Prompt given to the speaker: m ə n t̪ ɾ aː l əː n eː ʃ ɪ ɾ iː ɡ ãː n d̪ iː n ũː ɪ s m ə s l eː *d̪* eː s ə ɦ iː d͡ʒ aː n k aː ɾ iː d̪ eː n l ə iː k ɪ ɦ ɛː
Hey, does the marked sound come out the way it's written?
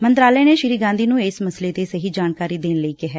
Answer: no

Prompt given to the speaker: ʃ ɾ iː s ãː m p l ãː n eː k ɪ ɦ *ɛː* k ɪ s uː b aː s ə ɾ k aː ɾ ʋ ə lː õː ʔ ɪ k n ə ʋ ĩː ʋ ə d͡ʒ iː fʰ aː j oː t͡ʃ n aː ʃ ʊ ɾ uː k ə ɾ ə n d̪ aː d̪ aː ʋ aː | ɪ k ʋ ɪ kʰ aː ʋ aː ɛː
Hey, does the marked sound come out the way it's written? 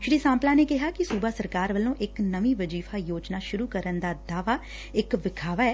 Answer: no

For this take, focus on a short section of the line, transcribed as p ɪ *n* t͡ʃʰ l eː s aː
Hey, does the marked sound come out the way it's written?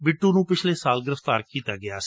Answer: no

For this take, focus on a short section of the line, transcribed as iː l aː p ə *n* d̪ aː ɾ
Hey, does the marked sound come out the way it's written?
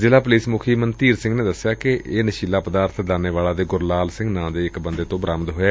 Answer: no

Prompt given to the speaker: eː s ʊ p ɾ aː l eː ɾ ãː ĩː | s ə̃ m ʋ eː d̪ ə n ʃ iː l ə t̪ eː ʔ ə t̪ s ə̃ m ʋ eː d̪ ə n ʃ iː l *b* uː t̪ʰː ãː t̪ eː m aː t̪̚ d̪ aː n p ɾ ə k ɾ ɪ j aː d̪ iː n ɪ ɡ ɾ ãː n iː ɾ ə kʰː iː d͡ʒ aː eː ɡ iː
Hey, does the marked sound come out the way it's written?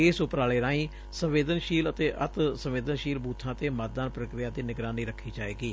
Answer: yes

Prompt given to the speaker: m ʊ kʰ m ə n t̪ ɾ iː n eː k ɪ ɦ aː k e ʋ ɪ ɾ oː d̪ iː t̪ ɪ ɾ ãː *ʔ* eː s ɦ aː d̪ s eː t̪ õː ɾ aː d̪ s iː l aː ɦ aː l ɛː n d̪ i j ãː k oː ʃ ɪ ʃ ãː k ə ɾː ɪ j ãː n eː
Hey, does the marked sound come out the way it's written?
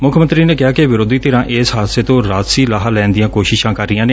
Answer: yes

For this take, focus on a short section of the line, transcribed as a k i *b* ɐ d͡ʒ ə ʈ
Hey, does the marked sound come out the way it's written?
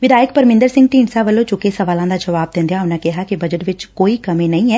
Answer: yes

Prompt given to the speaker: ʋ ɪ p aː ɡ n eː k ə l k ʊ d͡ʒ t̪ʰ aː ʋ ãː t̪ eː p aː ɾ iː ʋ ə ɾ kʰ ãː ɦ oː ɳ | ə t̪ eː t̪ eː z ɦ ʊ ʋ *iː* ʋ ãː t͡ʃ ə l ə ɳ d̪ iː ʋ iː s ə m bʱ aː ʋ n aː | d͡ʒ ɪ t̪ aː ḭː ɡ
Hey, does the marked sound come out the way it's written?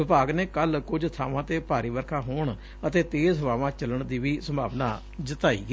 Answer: no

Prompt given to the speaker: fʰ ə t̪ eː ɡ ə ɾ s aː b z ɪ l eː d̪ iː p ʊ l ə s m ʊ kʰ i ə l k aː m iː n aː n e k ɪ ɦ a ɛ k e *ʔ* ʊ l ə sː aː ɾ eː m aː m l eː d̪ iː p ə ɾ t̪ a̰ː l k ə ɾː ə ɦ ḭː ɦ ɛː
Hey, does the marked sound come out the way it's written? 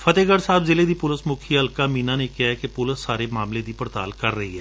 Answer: no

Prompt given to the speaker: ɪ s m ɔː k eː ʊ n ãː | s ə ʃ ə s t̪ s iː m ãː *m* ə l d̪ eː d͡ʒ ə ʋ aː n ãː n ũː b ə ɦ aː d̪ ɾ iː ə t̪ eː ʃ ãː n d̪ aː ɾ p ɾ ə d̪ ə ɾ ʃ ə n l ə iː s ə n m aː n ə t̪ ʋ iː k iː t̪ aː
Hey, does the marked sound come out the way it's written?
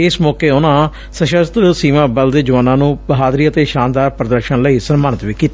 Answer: no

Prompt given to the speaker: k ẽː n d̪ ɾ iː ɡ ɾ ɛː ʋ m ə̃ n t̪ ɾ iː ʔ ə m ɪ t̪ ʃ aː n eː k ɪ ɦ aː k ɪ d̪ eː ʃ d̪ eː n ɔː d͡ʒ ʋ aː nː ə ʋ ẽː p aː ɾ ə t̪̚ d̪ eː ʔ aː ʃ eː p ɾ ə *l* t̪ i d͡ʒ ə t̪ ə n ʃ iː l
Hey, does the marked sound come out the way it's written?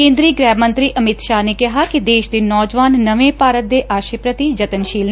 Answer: no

